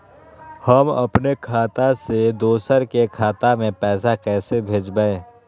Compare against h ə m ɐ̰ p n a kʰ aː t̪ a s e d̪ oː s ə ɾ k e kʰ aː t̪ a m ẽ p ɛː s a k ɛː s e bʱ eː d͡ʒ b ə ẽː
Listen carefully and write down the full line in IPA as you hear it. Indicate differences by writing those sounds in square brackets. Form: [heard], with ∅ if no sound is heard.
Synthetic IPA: h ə m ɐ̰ p n [e] kʰ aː t̪ a s e d̪ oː s ə ɾ k e kʰ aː t̪ a m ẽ p ɛː s a k ɛː s e bʱ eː d͡ʒ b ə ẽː